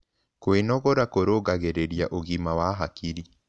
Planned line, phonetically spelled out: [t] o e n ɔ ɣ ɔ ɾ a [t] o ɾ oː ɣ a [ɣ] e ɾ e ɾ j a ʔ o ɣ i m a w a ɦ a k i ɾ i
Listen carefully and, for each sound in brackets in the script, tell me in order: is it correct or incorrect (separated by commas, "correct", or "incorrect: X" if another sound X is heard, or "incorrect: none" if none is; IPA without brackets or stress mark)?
incorrect: k, incorrect: k, correct